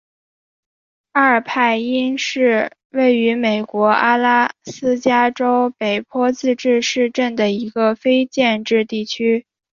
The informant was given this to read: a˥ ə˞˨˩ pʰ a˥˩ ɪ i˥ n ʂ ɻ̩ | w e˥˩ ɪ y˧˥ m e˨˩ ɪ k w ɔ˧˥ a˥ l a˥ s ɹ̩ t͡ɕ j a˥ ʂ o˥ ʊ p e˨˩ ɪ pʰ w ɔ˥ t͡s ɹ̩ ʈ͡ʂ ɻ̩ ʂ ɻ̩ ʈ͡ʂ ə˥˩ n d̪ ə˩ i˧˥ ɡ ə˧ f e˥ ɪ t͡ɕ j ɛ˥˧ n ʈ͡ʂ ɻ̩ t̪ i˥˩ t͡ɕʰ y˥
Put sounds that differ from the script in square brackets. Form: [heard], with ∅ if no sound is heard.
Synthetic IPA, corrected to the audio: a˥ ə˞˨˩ pʰ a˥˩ ɪ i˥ n ʂ ɻ̩ | w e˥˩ ɪ y˧˥ m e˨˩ ɪ k w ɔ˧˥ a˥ l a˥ s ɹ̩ t͡ɕ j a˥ [ʈ͡ʂ] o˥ ʊ p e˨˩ ɪ pʰ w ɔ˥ t͡s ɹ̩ ʈ͡ʂ ɻ̩ ʂ ɻ̩ ʈ͡ʂ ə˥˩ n d̪ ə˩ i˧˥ ɡ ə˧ f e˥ ɪ t͡ɕ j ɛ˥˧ n ʈ͡ʂ ɻ̩ t̪ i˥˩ t͡ɕʰ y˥